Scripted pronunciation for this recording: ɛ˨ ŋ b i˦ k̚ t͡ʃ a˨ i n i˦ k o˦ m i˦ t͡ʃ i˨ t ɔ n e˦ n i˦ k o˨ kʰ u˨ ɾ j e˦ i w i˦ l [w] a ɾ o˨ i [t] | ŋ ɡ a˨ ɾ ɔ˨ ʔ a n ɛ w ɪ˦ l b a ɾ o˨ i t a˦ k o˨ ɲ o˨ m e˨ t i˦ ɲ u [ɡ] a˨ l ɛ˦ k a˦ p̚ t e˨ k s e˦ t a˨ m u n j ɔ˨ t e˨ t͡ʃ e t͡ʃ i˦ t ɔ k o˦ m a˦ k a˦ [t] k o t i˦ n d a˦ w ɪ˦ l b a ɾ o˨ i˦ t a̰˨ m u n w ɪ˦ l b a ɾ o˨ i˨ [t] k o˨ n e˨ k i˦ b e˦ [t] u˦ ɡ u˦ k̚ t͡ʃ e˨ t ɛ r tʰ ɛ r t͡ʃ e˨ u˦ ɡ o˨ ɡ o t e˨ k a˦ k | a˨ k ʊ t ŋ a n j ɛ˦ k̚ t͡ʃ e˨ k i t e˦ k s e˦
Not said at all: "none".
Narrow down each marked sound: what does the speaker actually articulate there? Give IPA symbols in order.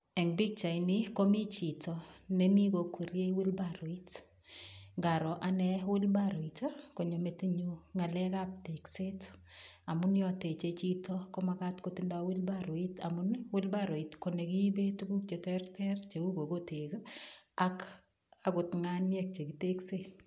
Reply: b, t, ŋ, t, t, t

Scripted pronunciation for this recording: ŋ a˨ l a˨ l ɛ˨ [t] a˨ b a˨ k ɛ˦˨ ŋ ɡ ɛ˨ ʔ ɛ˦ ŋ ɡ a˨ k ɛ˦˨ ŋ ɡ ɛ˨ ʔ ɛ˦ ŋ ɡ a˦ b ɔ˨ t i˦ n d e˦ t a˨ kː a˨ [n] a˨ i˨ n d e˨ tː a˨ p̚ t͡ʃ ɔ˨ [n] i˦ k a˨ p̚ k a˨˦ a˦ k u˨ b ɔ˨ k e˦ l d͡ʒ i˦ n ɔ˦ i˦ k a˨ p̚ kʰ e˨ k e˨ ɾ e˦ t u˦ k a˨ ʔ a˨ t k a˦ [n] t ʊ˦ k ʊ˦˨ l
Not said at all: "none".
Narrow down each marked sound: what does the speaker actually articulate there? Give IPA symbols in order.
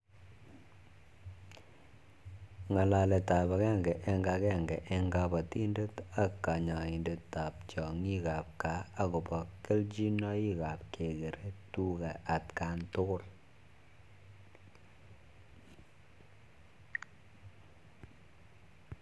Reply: t, ɲ, ŋ, n

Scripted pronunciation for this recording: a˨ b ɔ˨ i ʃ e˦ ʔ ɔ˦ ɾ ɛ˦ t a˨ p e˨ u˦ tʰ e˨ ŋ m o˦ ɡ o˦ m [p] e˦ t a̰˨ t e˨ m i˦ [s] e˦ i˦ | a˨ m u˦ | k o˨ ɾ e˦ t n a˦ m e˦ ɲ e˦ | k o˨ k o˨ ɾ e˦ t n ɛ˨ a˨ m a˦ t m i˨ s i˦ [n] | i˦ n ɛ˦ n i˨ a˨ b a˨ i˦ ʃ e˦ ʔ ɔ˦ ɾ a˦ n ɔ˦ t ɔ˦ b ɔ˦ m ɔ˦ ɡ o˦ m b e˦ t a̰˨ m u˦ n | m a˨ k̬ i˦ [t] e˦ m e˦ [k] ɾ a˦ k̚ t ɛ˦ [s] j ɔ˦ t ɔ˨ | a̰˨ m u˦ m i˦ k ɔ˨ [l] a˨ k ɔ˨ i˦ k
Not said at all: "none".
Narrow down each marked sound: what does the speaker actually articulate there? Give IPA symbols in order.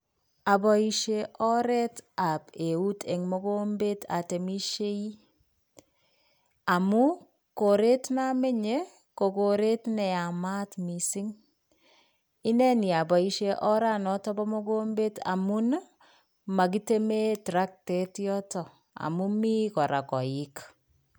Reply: b, ʃ, ŋ, t, t, t, ɾ

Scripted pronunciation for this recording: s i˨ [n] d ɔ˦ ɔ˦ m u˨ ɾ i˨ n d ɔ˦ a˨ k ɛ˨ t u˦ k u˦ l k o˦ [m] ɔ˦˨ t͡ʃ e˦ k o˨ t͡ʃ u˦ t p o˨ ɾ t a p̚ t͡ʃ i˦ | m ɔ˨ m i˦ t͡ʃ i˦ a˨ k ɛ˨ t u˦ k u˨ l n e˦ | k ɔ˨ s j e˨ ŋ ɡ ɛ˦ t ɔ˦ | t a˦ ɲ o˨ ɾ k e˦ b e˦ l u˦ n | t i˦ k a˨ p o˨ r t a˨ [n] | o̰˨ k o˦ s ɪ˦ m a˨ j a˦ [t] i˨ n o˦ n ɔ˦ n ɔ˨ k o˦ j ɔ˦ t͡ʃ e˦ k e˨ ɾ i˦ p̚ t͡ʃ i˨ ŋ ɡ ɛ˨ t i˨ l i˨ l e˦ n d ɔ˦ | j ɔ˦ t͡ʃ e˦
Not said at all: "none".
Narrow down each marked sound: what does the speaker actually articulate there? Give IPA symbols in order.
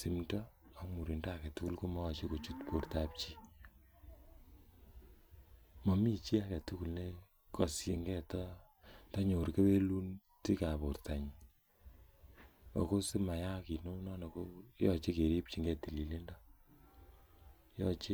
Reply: m, m, ɲ, k

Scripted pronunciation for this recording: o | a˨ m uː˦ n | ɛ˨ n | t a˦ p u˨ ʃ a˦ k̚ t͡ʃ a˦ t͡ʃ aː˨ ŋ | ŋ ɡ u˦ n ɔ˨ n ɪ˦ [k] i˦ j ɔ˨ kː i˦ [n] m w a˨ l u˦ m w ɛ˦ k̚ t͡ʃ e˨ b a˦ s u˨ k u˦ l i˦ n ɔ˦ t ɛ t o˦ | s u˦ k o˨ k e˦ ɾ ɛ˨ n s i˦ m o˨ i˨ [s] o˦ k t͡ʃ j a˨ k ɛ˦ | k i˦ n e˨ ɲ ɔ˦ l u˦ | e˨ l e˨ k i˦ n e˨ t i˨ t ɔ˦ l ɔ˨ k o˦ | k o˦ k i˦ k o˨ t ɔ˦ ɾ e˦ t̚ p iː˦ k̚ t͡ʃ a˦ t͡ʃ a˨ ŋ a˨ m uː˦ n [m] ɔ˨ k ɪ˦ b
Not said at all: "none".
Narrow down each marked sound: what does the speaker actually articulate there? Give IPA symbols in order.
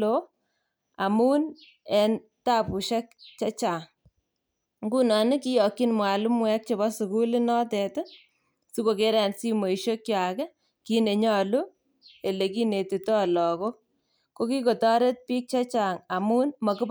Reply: k, n, ʃ, m

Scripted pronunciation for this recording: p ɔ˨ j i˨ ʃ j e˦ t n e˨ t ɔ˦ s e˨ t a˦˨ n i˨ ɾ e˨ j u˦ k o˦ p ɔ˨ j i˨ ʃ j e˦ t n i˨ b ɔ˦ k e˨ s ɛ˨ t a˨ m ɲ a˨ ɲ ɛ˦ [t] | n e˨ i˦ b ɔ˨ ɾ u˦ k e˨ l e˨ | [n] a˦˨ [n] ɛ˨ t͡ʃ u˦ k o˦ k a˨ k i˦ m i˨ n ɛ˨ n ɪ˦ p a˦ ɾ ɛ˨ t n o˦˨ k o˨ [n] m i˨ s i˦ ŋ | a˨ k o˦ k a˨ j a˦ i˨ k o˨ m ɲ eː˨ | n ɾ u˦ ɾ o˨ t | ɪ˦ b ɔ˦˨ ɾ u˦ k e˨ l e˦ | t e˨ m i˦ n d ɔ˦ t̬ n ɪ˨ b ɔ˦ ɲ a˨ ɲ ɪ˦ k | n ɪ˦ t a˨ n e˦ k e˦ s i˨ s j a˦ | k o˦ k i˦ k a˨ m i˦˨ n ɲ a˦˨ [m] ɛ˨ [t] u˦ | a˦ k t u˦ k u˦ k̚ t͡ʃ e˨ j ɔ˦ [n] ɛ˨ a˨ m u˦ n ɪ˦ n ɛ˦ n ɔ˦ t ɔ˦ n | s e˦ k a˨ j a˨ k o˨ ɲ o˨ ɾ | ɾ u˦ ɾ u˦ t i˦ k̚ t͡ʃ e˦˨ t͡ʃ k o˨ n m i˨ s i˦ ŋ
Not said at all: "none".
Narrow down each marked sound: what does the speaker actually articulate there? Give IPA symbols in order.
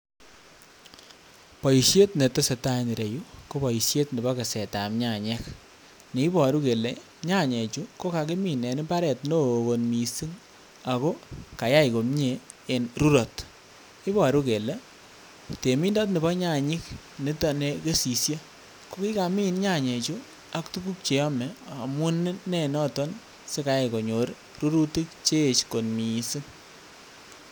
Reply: k, ɲ, ɲ, n, ɲ, t͡ʃ, m

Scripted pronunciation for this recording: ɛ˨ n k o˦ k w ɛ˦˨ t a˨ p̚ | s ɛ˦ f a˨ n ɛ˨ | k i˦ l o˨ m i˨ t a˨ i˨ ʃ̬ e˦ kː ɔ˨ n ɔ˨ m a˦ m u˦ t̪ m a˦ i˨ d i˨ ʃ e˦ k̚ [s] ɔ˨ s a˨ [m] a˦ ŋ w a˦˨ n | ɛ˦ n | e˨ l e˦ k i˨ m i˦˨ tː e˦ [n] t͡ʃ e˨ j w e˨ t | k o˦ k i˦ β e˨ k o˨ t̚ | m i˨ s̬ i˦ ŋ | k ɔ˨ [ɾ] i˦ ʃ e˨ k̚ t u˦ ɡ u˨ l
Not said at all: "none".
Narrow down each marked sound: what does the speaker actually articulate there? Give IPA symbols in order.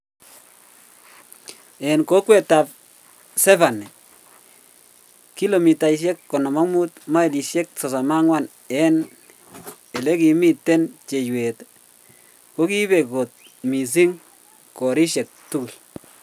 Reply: s, m, n, ɾ

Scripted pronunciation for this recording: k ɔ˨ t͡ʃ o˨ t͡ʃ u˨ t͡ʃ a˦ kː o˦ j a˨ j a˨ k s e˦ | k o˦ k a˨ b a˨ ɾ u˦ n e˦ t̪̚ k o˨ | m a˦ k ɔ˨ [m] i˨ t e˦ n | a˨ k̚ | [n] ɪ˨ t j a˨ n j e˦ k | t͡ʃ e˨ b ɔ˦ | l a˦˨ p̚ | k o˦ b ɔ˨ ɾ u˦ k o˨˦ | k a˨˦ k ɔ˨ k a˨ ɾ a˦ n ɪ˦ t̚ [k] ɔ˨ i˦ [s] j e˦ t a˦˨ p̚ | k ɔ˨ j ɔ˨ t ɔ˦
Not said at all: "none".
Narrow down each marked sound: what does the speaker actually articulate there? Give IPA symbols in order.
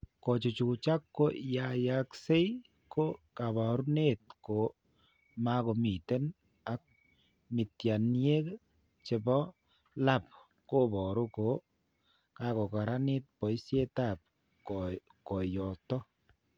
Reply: m, m, p, s

